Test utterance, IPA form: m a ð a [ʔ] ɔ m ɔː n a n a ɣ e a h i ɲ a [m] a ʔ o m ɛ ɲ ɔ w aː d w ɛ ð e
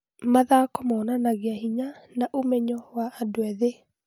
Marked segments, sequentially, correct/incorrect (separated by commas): incorrect, incorrect